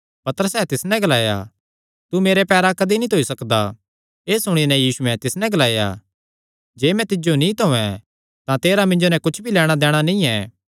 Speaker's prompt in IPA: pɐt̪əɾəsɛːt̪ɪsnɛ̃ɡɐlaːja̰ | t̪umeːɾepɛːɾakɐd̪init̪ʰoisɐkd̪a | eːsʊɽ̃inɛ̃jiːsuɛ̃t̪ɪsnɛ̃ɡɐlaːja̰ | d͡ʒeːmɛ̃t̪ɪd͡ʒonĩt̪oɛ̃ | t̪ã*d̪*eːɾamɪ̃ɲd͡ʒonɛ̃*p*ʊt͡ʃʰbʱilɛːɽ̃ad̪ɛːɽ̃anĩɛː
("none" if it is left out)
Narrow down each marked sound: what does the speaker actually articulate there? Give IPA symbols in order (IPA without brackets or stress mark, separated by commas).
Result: t̪, k